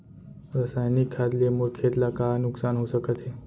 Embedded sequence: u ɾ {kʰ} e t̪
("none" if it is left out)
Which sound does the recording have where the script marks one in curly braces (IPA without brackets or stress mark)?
kʰ